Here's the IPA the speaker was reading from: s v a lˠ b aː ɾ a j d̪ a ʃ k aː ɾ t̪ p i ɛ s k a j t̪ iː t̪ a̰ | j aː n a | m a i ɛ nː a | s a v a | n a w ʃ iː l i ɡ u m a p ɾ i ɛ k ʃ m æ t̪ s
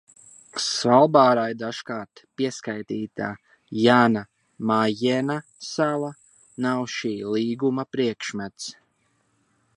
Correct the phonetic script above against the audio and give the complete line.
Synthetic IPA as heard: s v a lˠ b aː ɾ a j d̪ a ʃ k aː ɾ t̪ p i ɛ s k a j t̪ iː t̪ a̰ | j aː n a | m a j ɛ n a | s a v a | n a w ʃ iː l iː ɡ u m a p ɾ i ɛ k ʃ m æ t̪ s